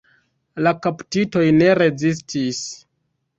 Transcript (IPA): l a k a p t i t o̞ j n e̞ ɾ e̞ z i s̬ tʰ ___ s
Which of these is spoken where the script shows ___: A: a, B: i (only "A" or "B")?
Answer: B